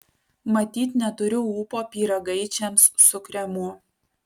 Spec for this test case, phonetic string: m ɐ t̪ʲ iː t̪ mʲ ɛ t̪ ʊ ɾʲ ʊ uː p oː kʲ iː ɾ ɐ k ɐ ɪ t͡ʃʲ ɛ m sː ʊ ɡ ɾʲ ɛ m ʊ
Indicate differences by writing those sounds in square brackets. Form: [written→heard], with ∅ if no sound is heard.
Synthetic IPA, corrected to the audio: m ɐ t̪ʲ iː t̪ [mʲ→nʲ] ɛ t̪ ʊ ɾʲ ʊ uː p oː [kʲ→pʲ] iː ɾ ɐ [k→ɡ] ɐ ɪ t͡ʃʲ ɛ m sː ʊ [ɡ→k] ɾʲ ɛ m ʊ